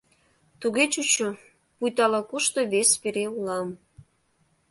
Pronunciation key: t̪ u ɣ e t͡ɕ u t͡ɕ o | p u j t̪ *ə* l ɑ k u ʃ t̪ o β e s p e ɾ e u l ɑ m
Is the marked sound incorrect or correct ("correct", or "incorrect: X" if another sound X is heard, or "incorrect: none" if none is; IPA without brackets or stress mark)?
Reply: incorrect: ɑ